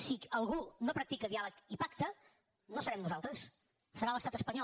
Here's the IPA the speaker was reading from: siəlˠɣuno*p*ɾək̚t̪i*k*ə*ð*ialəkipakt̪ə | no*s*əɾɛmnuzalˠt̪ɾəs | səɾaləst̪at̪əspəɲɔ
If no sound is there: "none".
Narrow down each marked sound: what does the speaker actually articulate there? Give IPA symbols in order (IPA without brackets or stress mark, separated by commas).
p, k, ð, s